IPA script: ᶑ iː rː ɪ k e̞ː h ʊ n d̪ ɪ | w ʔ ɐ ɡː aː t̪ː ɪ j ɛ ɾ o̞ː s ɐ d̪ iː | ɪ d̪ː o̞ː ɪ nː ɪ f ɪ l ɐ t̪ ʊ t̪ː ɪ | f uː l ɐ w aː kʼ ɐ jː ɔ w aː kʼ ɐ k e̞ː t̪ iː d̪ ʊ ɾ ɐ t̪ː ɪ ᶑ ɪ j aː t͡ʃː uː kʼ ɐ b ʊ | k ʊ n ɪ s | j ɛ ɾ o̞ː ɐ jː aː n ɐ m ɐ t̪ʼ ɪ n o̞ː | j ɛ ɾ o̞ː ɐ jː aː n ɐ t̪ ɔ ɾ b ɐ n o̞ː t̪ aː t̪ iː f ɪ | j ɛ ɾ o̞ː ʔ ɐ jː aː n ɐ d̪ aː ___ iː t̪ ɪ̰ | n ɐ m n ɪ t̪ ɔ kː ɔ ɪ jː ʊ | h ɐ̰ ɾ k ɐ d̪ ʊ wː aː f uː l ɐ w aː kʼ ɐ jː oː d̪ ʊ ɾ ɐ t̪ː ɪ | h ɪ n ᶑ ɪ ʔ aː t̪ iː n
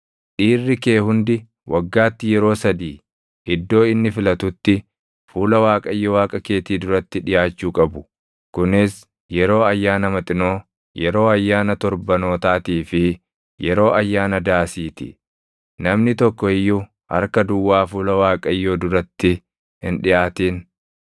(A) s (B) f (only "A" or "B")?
A